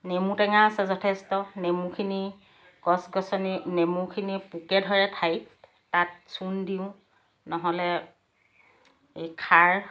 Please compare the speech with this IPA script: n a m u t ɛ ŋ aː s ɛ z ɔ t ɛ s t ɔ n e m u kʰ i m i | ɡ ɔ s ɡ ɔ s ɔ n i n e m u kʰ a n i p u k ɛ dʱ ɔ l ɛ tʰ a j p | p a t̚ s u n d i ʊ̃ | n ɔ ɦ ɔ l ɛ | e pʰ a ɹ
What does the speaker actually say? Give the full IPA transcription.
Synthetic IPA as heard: n e m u t ɛ ŋ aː s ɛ z ɔ tʰ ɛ s t ɔ n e m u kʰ i n i | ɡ ɔ s ɡ ɔ s ɔ n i n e m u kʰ i n i p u k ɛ dʱ ɔ ɹ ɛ tʰ a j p | t a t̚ s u n d i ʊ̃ | n ɔ ɦ ɔ l ɛ | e kʰ a ɹ